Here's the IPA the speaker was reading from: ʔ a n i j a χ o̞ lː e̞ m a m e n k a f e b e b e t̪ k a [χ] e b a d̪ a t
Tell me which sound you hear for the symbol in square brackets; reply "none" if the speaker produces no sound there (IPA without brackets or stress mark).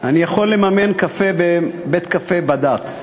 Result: f